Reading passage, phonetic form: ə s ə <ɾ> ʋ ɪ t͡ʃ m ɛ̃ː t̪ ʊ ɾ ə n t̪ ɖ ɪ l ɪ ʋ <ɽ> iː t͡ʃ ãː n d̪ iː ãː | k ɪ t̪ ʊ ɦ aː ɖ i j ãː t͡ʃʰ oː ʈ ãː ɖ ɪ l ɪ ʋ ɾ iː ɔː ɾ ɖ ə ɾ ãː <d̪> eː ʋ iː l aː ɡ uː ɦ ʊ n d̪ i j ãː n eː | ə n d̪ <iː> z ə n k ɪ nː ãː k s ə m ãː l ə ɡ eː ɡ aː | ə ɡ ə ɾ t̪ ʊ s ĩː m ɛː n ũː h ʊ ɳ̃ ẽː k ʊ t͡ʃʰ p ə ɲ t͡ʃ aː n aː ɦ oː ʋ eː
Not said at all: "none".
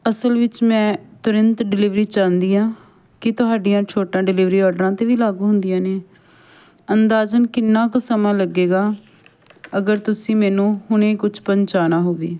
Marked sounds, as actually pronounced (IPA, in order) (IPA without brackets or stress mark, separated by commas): l, ɾ, t̪, aː